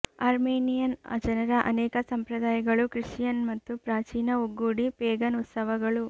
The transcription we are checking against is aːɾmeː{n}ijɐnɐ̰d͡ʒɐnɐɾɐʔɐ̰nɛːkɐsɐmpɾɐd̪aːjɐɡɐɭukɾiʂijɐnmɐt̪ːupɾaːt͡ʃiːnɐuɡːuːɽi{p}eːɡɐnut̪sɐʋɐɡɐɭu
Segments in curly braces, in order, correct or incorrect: correct, correct

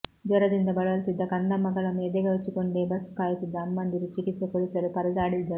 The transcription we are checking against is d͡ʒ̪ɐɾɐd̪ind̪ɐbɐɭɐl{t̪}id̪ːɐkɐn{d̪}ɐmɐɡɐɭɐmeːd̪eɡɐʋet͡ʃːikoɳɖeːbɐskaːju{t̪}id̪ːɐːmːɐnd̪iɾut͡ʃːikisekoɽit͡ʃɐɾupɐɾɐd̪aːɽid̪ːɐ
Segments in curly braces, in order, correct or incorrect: correct, correct, correct

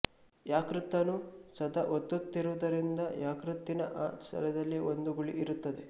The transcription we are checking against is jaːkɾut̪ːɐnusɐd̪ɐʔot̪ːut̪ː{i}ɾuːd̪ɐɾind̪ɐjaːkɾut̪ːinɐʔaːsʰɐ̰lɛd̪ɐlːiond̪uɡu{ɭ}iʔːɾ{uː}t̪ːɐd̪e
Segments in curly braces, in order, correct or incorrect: correct, correct, incorrect: u

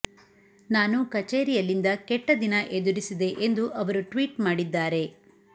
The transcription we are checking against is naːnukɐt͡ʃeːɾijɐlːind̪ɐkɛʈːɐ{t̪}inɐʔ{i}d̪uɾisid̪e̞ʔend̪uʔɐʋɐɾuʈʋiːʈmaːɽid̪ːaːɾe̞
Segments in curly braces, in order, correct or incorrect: incorrect: d̪, incorrect: e

